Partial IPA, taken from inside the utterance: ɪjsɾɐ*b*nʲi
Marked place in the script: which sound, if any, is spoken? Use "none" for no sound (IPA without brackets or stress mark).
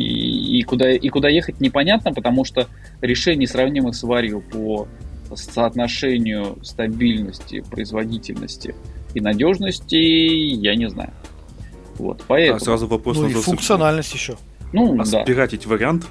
v